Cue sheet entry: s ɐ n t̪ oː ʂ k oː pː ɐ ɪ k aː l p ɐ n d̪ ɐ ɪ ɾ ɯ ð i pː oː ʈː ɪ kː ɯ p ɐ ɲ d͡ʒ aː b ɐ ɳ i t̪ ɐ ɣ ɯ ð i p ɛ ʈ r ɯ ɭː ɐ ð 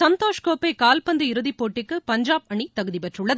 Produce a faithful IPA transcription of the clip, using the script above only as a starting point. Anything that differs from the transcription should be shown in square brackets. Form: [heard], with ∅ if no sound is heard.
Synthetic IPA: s ɐ n t̪ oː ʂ k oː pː ɐ ɪ k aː l p ɐ n d̪ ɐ ɪ ɾ ɯ ð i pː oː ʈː ɪ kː ɯ p ɐ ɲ d͡ʒ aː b ɐ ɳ i t̪ ɐ ɣ ɯ ð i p ɛ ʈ r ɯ ɭː ɐ ð